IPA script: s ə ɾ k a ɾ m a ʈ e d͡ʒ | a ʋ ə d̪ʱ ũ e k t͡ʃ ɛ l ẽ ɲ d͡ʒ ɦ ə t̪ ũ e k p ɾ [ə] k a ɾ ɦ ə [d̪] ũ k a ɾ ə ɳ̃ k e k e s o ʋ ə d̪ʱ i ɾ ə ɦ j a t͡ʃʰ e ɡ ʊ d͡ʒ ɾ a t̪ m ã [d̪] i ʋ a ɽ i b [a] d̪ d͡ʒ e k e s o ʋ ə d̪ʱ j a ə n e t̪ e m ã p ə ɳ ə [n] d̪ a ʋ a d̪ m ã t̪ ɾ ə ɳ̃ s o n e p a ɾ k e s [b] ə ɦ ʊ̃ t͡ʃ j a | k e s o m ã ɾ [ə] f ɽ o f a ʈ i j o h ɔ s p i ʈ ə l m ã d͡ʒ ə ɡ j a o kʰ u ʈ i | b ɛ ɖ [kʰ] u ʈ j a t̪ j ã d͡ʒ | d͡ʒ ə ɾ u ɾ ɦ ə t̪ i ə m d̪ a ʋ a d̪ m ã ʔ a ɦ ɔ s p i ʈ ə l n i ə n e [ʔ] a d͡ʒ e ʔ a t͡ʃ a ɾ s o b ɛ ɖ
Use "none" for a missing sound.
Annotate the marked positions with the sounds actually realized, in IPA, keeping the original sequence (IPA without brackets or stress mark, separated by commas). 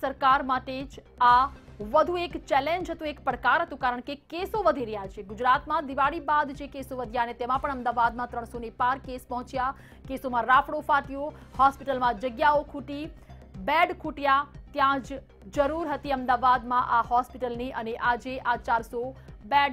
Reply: ə, t̪, d̪, a, m, p, a, kʰ, ʔ